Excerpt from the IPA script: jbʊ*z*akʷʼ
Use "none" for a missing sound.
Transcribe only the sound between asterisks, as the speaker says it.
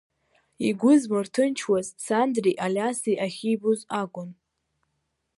z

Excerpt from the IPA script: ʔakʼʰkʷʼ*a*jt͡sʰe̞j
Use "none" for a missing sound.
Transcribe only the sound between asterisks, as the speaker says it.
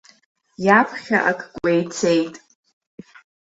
e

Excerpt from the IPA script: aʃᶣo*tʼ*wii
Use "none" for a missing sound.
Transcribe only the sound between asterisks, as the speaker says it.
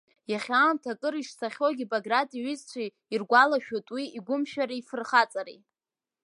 tʼ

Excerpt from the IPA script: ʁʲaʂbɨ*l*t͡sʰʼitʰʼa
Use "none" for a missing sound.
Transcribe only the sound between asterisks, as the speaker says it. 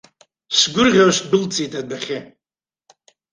l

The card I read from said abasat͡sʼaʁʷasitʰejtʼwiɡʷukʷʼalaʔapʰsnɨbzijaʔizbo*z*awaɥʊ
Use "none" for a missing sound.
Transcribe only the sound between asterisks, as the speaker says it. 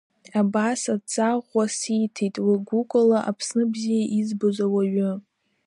z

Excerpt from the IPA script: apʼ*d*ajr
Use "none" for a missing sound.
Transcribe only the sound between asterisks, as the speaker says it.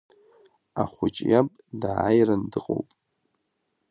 d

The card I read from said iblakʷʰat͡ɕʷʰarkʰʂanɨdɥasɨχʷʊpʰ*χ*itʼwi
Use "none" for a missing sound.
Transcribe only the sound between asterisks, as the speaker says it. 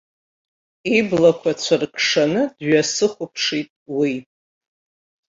ʂ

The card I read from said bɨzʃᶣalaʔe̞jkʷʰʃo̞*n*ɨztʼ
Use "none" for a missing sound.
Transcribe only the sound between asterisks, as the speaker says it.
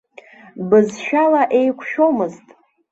m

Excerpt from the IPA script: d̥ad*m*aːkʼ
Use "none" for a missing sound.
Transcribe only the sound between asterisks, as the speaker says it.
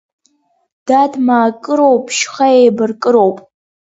m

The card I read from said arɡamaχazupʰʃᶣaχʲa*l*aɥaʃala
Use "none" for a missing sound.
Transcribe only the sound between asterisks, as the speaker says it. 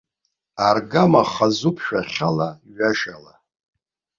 l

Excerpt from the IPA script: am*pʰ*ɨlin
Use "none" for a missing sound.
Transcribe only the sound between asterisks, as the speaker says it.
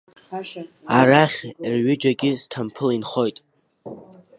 pʰ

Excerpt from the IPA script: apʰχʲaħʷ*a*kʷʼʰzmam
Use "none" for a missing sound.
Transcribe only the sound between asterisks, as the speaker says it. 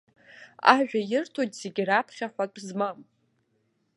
a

